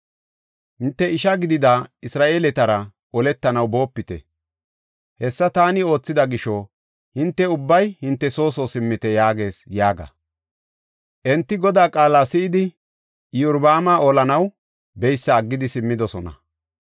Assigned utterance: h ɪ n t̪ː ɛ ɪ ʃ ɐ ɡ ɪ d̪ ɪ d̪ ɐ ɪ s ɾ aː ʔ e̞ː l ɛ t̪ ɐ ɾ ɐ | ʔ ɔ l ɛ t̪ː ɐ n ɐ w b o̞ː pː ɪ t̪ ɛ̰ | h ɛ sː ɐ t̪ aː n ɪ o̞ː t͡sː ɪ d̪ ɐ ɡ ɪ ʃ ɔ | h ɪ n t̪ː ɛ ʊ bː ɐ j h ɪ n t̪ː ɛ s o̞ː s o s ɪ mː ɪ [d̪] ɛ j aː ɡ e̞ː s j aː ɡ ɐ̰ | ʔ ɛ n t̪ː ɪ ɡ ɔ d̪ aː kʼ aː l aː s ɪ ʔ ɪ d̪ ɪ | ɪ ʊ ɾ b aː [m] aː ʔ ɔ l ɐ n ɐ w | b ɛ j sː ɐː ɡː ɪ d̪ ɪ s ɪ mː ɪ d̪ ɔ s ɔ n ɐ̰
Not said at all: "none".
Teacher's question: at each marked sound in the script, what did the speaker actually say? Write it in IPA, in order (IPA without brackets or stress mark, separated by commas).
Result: t̪, m